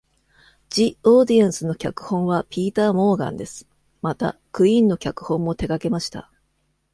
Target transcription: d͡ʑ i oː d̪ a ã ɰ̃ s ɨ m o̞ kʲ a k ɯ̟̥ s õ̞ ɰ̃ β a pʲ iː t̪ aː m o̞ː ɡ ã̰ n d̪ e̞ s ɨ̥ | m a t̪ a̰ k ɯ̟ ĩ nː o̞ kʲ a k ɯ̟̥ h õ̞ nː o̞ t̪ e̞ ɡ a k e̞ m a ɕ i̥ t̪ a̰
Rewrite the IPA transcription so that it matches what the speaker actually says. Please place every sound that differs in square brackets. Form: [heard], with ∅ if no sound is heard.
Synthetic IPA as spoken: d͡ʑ i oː d̪ [i] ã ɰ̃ s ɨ [n] o̞ kʲ a k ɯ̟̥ [h] õ̞ ɰ̃ β a pʲ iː t̪ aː m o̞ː ɡ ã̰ n d̪ e̞ s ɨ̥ | m a t̪ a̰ k ɯ̟ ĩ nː o̞ kʲ a k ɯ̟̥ h õ̞ [mː] o̞ t̪ e̞ ɡ a k e̞ m a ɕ i̥ t̪ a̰